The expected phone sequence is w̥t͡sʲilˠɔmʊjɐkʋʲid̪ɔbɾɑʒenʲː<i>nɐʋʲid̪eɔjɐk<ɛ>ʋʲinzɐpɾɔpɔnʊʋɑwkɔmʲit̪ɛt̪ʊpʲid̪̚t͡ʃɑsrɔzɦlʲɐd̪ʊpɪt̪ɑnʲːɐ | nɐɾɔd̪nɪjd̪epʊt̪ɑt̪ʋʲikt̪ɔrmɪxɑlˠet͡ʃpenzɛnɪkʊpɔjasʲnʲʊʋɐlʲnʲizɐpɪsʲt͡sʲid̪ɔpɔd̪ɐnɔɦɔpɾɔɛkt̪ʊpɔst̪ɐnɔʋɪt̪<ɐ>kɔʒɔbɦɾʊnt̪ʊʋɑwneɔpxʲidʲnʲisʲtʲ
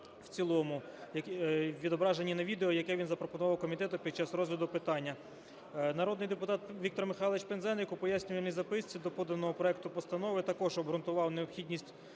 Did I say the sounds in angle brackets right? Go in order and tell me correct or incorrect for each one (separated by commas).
correct, correct, correct